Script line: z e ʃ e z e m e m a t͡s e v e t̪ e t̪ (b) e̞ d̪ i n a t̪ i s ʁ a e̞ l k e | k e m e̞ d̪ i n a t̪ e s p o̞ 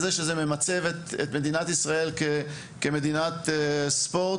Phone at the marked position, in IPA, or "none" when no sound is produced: m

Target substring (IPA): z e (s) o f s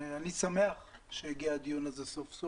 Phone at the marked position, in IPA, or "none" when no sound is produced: s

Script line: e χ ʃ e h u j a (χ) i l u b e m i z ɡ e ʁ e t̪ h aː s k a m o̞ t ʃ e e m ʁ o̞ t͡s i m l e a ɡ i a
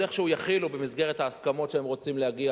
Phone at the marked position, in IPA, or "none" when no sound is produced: χ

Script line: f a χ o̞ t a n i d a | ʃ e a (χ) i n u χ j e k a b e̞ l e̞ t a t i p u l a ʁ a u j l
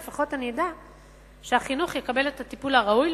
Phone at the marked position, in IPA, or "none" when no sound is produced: χ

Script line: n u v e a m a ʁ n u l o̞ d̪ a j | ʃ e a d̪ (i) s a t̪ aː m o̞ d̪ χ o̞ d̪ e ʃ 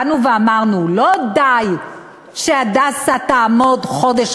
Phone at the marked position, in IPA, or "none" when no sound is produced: a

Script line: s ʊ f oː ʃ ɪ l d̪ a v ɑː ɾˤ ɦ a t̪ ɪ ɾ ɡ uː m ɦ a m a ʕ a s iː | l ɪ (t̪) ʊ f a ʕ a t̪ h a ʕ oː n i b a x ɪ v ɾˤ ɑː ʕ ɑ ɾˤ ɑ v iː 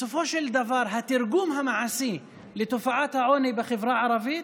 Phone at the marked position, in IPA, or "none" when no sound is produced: t̪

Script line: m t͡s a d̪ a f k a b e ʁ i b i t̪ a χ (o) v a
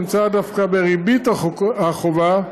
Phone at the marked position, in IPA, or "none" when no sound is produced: o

